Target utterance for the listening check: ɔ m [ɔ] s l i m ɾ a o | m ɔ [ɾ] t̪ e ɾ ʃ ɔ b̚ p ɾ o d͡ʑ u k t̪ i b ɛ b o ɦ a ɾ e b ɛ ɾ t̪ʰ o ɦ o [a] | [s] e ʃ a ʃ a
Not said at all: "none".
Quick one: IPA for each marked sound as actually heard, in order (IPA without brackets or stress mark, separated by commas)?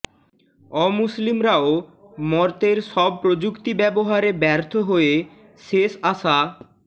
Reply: u, ɾ, e, ʃ